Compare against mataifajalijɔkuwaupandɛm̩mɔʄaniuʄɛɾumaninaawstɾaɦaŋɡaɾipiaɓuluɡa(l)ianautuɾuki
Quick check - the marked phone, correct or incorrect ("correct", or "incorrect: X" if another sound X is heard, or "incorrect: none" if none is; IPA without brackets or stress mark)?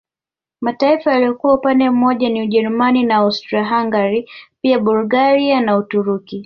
incorrect: ɾ